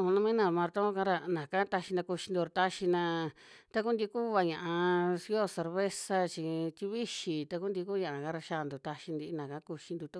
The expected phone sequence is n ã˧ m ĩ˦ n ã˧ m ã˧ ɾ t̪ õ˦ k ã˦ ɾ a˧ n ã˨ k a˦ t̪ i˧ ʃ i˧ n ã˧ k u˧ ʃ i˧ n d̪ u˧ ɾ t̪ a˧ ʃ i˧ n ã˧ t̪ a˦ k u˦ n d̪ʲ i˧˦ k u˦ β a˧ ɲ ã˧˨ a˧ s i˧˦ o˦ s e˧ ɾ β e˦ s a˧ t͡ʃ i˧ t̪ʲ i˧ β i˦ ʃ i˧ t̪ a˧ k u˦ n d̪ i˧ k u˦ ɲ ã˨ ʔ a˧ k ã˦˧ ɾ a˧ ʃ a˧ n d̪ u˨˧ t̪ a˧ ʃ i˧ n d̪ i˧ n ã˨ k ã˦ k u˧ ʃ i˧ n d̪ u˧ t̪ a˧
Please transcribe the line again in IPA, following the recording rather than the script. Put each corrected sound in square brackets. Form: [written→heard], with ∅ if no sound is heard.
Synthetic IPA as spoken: n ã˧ m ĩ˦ n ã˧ m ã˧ ɾ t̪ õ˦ k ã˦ ɾ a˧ n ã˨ k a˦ t̪ [i˧→a˧] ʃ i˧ n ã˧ k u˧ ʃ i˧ n d̪ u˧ ɾ t̪ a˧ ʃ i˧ n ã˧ t̪ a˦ k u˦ n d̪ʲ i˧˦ k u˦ β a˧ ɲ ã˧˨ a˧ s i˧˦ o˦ s e˧ ɾ β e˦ s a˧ t͡ʃ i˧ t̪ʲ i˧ β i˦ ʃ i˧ t̪ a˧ k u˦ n d̪ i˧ k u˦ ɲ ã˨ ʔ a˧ k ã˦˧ ɾ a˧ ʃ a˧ n d̪ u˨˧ t̪ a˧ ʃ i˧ n d̪ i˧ n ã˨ k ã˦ k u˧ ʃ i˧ n d̪ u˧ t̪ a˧